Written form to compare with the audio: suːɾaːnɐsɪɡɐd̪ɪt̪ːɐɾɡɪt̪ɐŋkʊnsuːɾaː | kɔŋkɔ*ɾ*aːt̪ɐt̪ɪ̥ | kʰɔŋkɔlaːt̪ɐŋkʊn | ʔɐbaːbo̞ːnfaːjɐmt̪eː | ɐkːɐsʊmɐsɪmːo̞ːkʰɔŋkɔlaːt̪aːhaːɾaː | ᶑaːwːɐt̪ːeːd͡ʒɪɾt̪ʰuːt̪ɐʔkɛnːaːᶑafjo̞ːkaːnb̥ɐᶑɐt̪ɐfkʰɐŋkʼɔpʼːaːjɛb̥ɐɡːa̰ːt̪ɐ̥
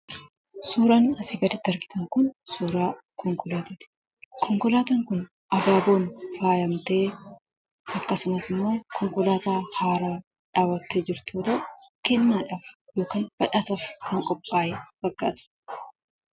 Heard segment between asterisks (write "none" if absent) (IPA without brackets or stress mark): l